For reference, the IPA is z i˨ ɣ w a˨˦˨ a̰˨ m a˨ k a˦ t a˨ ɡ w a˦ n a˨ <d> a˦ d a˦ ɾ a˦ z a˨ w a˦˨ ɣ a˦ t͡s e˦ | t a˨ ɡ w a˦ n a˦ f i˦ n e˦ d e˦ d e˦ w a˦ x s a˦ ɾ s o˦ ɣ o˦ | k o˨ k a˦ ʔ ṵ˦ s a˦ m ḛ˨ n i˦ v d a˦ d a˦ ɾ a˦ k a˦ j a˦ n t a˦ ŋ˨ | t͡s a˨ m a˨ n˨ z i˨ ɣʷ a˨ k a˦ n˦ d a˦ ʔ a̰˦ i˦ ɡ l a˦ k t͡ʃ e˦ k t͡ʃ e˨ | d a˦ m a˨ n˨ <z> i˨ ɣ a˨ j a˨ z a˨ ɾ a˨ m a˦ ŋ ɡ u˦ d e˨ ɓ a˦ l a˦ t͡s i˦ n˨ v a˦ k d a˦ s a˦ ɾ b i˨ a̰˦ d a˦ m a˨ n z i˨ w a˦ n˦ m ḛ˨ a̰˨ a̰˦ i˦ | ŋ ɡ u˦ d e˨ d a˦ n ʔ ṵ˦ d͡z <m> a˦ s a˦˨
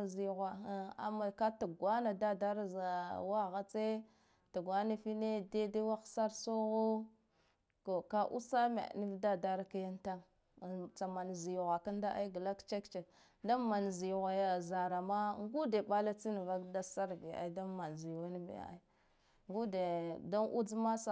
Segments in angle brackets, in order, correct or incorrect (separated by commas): correct, correct, correct